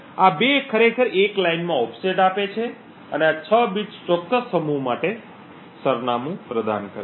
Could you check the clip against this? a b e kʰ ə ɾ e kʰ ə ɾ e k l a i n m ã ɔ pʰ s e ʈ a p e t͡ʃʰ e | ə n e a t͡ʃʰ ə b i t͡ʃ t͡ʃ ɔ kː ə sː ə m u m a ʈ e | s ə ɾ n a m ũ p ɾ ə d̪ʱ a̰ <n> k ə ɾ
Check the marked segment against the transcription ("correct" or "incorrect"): correct